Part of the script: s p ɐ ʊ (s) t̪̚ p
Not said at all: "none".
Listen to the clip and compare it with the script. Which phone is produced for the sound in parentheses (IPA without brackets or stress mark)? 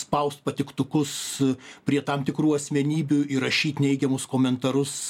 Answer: s